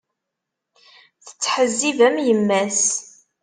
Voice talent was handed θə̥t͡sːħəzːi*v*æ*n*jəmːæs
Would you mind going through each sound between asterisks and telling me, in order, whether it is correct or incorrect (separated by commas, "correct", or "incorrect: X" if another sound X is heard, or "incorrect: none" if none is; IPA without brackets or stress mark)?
correct, incorrect: m